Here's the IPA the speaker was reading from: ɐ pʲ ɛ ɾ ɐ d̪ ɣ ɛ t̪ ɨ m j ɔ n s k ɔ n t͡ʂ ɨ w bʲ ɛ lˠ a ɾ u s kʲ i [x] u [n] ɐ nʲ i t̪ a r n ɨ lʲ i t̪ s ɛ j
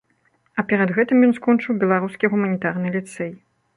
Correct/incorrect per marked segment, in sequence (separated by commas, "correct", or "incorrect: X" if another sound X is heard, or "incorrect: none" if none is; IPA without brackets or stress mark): incorrect: ɣ, incorrect: m